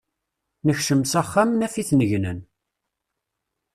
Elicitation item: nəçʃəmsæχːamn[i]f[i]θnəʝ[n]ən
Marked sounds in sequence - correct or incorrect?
incorrect: æ, correct, correct

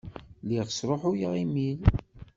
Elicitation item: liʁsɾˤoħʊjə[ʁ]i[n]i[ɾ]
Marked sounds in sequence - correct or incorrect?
correct, incorrect: m, incorrect: l

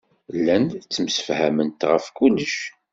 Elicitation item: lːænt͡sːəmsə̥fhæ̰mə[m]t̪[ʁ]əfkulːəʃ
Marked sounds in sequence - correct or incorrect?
incorrect: n, correct

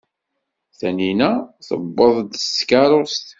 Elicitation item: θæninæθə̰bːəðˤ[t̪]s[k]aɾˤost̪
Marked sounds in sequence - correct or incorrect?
incorrect: d̪, correct

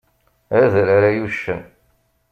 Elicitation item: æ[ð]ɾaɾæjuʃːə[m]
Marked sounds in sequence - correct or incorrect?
correct, incorrect: n

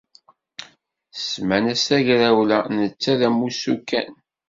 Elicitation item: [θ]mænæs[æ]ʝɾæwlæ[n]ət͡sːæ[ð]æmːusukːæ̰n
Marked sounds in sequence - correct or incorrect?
incorrect: s, correct, correct, correct

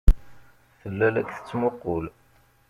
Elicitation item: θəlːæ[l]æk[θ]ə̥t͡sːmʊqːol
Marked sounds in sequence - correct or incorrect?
correct, correct

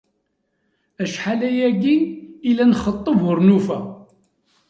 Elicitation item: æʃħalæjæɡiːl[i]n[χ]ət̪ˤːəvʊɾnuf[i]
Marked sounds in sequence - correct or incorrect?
incorrect: æ, correct, incorrect: æ

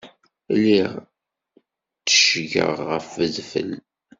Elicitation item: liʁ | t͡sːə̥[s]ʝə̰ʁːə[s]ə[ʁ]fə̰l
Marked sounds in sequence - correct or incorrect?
incorrect: ʃ, incorrect: f, incorrect: ð

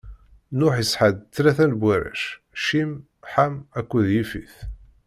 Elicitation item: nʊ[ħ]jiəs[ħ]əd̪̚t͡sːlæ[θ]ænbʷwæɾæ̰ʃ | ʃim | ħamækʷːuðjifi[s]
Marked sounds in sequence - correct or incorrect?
correct, correct, correct, incorrect: θ

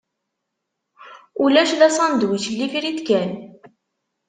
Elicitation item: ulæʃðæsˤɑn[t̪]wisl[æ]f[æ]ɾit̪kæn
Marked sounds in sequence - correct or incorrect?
incorrect: d̪, incorrect: i, incorrect: i

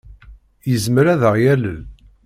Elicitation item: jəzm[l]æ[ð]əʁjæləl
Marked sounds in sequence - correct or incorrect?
incorrect: ɾ, correct

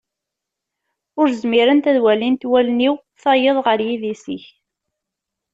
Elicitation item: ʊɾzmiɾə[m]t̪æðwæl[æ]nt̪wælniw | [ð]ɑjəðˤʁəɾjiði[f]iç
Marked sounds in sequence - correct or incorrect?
incorrect: n, incorrect: i, incorrect: θ, incorrect: s

